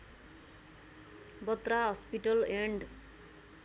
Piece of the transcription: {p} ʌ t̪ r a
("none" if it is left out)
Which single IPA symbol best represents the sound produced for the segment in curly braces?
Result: b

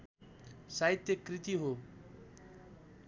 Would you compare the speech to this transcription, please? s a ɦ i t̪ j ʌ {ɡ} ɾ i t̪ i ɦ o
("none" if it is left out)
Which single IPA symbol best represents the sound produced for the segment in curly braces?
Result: k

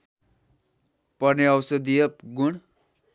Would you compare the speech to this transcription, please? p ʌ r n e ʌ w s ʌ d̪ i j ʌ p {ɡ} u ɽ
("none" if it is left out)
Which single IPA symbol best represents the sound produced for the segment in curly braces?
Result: ɡ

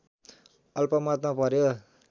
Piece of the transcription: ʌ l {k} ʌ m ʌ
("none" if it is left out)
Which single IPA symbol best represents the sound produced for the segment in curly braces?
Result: p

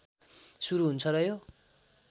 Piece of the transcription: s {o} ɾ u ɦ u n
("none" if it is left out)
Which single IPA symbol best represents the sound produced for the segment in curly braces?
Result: u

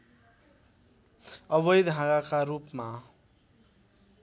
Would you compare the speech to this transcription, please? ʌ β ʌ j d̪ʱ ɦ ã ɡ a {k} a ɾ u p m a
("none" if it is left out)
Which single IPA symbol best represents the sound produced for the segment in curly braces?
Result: k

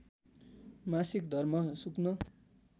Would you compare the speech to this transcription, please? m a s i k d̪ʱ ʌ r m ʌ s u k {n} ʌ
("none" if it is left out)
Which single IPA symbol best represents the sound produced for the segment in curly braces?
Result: n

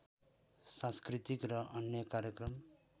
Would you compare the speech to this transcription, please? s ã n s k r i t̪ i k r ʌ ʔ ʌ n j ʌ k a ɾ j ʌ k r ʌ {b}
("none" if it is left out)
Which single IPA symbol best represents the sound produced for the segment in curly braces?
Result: m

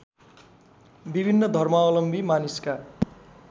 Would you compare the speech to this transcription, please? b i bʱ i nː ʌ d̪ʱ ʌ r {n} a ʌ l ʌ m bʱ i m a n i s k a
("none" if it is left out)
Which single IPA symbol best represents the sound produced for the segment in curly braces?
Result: m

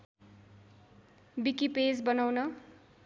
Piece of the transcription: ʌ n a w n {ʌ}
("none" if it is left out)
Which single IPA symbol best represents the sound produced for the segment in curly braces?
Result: ʌ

